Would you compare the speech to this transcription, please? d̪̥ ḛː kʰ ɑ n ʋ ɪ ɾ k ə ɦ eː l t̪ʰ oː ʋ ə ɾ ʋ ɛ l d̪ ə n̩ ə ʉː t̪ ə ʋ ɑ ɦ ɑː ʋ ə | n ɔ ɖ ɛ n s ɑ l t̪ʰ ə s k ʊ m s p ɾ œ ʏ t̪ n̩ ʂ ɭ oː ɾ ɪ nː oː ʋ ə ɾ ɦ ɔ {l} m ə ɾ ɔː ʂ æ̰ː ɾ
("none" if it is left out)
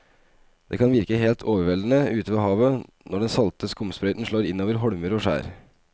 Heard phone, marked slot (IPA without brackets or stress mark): ɽ